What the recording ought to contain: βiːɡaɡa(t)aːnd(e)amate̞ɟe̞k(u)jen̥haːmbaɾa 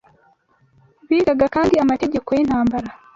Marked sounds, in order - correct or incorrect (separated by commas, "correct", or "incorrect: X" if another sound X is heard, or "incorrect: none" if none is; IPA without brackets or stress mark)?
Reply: incorrect: k, incorrect: i, incorrect: o